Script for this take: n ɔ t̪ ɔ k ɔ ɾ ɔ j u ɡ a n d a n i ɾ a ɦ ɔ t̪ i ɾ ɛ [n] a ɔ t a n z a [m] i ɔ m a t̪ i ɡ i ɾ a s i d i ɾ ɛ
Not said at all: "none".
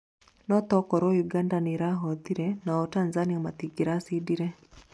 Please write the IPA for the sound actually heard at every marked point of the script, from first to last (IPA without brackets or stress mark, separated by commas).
n, n